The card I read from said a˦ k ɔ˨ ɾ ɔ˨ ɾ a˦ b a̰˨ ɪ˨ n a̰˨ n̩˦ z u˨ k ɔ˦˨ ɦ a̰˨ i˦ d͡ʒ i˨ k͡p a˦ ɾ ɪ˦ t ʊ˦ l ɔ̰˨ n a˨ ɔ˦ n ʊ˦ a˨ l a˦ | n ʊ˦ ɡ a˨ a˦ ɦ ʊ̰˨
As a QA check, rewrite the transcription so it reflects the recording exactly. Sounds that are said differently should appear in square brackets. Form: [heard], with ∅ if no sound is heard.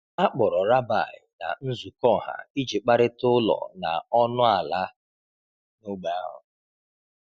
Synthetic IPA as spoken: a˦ [k͡p] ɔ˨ ɾ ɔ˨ ɾ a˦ b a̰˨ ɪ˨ n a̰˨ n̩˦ z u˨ k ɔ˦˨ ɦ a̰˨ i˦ d͡ʒ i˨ k͡p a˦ ɾ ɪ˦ t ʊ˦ l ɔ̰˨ n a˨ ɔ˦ n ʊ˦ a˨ l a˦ | n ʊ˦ [ɡ͡b] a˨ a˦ ɦ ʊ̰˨